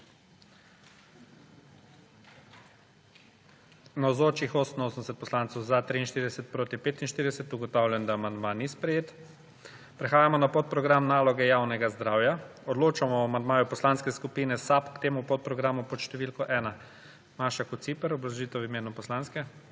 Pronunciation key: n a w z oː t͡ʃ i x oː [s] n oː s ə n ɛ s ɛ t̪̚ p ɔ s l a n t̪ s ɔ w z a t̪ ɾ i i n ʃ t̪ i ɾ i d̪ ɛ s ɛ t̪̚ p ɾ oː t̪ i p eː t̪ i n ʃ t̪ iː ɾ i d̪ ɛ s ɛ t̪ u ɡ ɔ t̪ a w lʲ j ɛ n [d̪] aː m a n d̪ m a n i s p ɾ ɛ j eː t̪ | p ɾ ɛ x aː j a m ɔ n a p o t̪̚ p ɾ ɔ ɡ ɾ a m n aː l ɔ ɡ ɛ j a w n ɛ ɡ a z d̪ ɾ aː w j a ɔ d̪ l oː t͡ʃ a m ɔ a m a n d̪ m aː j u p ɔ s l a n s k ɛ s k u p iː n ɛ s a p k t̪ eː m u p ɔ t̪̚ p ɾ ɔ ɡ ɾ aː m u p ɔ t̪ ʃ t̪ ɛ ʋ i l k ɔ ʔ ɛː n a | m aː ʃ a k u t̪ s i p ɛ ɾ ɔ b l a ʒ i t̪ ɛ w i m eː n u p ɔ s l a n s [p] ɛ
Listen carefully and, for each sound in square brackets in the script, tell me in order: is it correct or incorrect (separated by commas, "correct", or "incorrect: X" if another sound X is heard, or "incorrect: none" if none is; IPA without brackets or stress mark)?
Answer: correct, correct, incorrect: k